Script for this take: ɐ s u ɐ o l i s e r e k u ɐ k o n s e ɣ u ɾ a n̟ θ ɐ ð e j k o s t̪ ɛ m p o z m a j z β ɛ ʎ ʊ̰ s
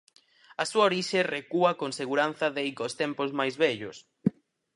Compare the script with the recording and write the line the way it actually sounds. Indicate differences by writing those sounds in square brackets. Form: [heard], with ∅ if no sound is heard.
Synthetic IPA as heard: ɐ s u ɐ o [ɾ] i [ʃ] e r e k u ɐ k o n s e ɣ u ɾ a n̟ θ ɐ ð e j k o s t̪ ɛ m p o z m a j z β ɛ ʎ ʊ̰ s

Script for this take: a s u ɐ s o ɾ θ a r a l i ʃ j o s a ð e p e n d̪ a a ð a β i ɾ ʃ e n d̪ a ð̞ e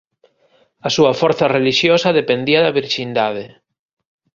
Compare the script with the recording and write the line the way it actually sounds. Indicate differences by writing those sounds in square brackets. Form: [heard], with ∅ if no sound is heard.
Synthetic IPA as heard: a s u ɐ [f] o ɾ θ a r [e] l i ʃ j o s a ð e p e n d̪ [i] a ð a β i ɾ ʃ [i] n d̪ a ð̞ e

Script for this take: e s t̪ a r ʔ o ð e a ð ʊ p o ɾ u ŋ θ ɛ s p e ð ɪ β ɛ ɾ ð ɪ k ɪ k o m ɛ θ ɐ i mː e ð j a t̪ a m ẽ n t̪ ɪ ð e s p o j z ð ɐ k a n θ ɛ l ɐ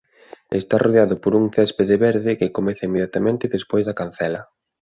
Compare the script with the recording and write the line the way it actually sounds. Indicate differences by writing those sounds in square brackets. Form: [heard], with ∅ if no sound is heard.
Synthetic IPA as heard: e s t̪ a r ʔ o ð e a ð ʊ p o ɾ u ŋ θ ɛ s p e ð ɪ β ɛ ɾ ð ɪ k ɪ k o m ɛ θ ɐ i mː e ð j a t̪ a m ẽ n t̪ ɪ ð e s p o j z ð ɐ k a n θ ɛ l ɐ

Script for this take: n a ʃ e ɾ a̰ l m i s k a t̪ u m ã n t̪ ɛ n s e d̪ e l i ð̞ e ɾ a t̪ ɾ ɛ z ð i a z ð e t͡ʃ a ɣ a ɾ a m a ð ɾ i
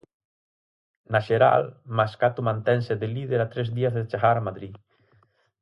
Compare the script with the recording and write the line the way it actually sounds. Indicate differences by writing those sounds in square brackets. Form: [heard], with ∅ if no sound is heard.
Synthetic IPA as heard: n a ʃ e ɾ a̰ l m [a] s k a t̪ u m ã n t̪ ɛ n s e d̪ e l i ð̞ e ɾ a t̪ ɾ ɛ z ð i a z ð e t͡ʃ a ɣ a ɾ a m a ð ɾ i

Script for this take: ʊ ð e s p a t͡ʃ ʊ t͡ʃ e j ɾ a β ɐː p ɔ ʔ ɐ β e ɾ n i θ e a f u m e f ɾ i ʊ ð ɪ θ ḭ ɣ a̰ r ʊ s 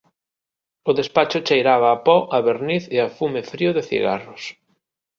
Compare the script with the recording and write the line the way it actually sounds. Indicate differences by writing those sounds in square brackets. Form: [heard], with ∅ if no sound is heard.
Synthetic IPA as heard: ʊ ð e s p a t͡ʃ ʊ t͡ʃ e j ɾ a β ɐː p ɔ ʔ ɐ β e ɾ n i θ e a f u m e f ɾ i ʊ ð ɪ θ ḭ ɣ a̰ r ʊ s

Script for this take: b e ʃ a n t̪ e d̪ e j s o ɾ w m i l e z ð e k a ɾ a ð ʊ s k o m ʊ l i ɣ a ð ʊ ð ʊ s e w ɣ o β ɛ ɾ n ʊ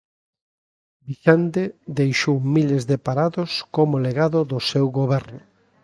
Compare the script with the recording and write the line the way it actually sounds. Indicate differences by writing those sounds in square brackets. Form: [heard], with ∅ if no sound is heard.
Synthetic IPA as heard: b [i] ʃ a n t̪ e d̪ e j [ʃ] o [∅] w m i l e z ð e [p] a ɾ a ð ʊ s k o m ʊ l [e] ɣ a ð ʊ ð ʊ s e w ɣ o β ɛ ɾ n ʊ

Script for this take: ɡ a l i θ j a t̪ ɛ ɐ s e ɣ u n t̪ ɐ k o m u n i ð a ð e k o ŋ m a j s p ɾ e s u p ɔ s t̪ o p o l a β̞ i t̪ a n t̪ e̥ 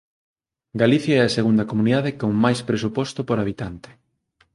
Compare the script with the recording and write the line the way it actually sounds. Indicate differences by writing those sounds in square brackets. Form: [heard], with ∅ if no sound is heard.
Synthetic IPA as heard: ɡ a l i θ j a [∅] ɛ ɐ s e ɣ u n [d̪] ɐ k o m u n i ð a ð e k o ŋ m a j s p ɾ e s u p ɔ s t̪ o p o [ɾ] a β̞ i t̪ a n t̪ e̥

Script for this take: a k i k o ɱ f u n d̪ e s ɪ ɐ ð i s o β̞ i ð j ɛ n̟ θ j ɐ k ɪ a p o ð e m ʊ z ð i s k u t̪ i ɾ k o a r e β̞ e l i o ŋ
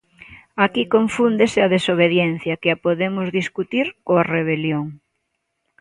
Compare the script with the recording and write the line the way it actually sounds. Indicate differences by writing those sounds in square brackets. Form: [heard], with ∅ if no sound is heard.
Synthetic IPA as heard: a k i k o ɱ f u n d̪ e s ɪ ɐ ð [e] s o β̞ [e] ð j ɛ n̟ θ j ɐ k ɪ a p o ð e m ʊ z ð i s k u t̪ i ɾ k o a r e β̞ e l [j] o ŋ

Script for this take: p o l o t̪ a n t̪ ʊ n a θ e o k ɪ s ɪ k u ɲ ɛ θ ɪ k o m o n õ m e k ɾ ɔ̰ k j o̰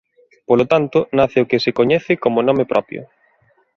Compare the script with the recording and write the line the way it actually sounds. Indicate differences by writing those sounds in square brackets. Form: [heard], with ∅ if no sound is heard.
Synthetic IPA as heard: p o l o t̪ a n t̪ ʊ n a θ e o k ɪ s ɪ k [o] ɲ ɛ θ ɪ k o m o n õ m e [p] ɾ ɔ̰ [p] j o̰

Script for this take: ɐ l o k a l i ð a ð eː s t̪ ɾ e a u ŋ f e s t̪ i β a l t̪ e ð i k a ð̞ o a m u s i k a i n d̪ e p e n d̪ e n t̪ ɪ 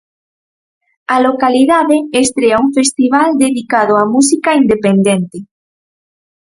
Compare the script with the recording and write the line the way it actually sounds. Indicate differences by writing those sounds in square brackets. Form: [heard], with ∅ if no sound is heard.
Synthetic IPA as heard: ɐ l o k a l i ð a ð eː s t̪ ɾ e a u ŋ f e s t̪ i β a l [d̪] e ð i k a ð̞ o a m u s i k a i n d̪ e p e n d̪ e n t̪ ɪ

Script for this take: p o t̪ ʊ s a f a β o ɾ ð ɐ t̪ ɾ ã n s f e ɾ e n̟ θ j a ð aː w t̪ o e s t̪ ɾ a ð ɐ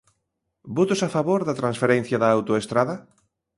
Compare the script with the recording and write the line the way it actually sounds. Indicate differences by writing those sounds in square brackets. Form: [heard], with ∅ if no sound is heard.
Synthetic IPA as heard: [b] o t̪ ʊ s a f a β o ɾ ð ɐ t̪ ɾ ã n s f e ɾ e n̟ θ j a ð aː w t̪ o e s t̪ ɾ a ð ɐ

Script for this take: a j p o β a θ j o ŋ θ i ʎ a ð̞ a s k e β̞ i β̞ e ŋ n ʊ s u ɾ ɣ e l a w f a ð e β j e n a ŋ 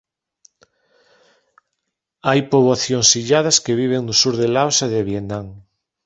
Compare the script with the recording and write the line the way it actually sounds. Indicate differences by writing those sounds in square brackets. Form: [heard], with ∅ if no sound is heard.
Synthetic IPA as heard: a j p o β a θ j o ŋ [s] i ʎ a ð̞ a s k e β̞ i β̞ e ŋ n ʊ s u ɾ [ð] e l a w [s] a ð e β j e n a ŋ

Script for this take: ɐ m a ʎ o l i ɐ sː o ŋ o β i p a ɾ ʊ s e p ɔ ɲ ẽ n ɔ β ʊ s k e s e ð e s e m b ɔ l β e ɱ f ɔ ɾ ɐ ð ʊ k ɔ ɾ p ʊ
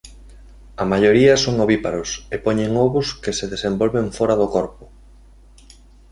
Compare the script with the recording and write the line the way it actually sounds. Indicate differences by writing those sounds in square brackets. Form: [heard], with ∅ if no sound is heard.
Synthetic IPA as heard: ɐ m a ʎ o [ɾ] i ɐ [s] o ŋ o β i p a ɾ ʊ s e p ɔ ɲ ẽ [ŋ] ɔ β ʊ s k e s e ð e s e m b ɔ l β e ɱ f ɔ ɾ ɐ ð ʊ k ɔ ɾ p ʊ

